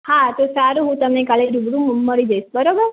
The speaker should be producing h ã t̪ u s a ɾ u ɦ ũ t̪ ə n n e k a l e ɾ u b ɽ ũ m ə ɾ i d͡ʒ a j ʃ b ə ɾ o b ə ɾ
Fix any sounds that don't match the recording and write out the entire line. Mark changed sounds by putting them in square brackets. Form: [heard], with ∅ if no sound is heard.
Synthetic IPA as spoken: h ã t̪ [o] s a ɾ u ɦ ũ t̪ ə [m] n e k a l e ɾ u b ɽ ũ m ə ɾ i d͡ʒ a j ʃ b ə ɾ o b ə ɾ